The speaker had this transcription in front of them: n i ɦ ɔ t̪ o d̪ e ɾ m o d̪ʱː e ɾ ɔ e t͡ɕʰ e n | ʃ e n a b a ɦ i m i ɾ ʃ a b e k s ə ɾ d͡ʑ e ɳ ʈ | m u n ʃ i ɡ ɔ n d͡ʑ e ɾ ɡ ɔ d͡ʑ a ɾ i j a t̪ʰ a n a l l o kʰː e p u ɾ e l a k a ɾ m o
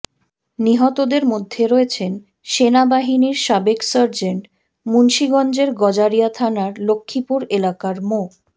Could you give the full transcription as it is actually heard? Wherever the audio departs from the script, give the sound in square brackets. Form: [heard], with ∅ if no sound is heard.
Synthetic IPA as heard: n i ɦ ɔ t̪ o d̪ e ɾ m o d̪ʱː e ɾ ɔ e t͡ɕʰ e n | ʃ e n a b a ɦ i [n] i ɾ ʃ a b e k s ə ɾ d͡ʑ e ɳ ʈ | m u n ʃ i ɡ ɔ n d͡ʑ e ɾ ɡ ɔ d͡ʑ a ɾ i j a t̪ʰ a n a [ɾ] l o kʰː [i] p u ɾ e l a k a ɾ m o